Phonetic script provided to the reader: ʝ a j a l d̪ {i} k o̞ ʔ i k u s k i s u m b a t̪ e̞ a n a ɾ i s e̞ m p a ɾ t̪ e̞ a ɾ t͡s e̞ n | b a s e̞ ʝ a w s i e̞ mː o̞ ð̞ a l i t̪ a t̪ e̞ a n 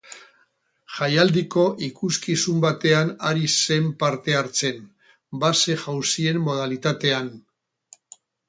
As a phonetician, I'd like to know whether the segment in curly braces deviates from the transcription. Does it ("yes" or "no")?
no